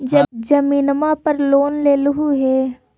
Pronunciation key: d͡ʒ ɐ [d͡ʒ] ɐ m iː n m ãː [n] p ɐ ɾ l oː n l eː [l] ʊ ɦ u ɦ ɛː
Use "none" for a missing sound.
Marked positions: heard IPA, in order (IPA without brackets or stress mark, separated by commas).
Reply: d͡ʒ, none, l